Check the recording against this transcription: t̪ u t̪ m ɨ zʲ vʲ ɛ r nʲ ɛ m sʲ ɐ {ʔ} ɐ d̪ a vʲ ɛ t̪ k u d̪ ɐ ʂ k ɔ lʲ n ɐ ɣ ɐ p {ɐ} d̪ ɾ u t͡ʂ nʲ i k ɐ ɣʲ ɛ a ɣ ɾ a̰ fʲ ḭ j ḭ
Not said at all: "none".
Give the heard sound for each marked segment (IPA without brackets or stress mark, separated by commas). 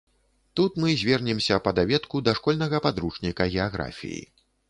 p, a